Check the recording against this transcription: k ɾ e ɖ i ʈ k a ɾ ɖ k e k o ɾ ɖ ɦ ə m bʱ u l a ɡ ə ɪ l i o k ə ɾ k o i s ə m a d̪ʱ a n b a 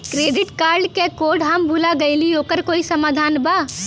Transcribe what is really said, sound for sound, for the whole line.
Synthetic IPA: k ɾ e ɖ i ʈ k a ɾ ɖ k e k o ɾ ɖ ɦ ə m bʱ u l a ɡ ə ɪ l i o k ə ɾ k o i s ə m a d̪ʱ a n b a